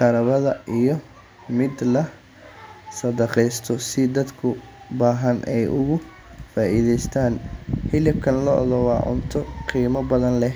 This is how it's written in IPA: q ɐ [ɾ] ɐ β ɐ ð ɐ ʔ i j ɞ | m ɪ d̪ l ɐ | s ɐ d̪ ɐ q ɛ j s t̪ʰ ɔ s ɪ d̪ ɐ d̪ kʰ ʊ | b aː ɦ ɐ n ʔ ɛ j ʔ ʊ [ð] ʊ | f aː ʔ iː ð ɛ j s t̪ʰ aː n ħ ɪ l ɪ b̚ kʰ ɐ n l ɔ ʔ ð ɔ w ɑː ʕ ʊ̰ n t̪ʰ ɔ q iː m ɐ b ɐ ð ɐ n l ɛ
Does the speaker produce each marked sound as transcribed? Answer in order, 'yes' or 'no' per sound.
yes, no

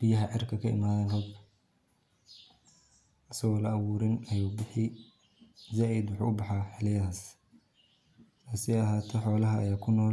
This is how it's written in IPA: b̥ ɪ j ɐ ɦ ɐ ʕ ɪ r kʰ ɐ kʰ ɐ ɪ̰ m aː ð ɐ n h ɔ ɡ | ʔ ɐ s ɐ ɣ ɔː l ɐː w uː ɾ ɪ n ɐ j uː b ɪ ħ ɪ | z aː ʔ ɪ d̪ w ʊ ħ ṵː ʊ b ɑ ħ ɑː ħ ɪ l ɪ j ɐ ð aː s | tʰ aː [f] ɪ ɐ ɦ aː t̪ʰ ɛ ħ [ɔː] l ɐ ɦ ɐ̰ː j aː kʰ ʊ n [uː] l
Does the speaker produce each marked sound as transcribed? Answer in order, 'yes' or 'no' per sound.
no, yes, no

